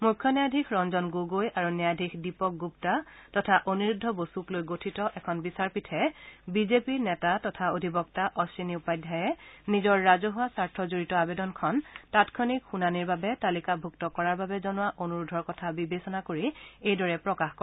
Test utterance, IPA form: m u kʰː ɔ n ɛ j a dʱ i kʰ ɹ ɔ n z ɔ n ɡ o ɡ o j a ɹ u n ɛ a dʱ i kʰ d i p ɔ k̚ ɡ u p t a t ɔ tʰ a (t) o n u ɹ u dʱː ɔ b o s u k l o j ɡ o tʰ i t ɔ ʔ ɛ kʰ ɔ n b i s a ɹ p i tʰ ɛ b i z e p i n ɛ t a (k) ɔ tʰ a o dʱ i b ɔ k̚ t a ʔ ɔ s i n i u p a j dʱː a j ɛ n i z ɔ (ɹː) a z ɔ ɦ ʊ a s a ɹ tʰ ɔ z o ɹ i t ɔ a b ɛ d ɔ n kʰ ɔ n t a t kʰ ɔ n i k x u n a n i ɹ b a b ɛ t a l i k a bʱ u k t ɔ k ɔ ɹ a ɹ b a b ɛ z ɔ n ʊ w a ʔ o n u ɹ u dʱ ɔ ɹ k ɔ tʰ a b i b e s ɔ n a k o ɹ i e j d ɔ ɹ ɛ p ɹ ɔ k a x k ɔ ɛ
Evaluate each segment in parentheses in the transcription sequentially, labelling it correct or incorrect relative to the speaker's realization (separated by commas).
incorrect, incorrect, correct